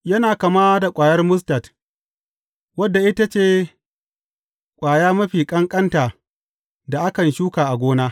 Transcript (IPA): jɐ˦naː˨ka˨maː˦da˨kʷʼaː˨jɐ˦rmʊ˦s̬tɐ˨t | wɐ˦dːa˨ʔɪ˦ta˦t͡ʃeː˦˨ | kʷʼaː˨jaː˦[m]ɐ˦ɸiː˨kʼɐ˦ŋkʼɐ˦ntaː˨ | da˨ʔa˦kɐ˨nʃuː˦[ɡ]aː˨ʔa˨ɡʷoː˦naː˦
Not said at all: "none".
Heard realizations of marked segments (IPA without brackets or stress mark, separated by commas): m, k